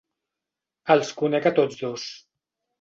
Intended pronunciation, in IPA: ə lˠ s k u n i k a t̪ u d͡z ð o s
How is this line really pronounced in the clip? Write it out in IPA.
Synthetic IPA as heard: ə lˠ s k u n ɛ k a t̪ o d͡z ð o s